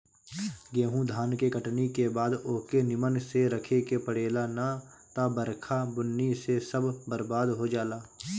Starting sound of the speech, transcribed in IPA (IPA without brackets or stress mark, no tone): ɡ